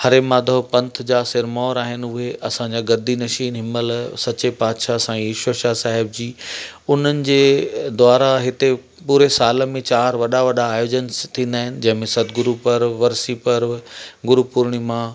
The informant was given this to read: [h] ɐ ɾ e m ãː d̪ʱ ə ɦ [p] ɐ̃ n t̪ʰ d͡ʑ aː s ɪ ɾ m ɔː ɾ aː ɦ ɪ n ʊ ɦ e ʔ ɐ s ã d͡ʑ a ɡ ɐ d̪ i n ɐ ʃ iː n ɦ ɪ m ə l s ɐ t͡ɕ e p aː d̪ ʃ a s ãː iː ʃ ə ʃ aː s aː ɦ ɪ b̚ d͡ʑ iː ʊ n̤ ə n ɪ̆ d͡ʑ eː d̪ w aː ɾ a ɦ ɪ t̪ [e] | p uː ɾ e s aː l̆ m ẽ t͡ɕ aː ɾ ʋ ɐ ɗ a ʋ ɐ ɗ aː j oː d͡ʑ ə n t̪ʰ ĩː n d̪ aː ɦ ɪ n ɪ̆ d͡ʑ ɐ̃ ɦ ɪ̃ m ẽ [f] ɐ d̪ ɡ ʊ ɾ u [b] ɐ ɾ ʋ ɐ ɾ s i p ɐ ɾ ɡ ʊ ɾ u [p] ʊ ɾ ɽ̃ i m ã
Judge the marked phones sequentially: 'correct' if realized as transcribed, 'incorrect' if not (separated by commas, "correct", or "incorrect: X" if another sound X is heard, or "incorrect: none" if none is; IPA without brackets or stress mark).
correct, correct, correct, incorrect: s, incorrect: p, correct